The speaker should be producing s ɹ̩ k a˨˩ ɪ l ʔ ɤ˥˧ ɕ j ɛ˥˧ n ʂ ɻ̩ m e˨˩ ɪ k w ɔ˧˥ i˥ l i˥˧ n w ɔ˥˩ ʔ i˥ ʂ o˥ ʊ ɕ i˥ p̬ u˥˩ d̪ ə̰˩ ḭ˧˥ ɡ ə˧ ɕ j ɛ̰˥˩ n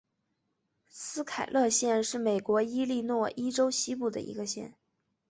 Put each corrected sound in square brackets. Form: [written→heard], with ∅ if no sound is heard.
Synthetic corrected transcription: s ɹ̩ [k→kʰ] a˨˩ ɪ l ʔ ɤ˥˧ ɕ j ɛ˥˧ n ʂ ɻ̩ m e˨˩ ɪ k w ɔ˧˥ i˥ l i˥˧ n w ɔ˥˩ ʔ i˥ [ʂ→ʈ͡ʂ] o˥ ʊ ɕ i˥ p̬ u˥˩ d̪ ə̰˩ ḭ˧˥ ɡ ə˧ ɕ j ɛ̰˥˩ n